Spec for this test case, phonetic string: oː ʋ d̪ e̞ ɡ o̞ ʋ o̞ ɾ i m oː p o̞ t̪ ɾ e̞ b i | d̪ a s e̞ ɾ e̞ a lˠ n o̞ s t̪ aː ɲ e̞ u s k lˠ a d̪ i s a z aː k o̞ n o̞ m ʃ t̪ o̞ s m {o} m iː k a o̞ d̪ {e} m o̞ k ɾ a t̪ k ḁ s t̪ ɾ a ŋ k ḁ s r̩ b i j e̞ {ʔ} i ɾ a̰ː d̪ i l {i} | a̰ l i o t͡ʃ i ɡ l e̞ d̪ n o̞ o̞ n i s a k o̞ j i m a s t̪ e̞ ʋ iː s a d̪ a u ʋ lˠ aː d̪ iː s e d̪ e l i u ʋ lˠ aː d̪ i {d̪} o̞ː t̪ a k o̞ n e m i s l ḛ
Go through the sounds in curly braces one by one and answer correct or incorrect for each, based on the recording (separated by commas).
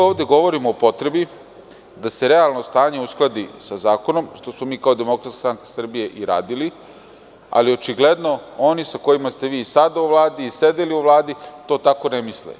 correct, correct, correct, correct, incorrect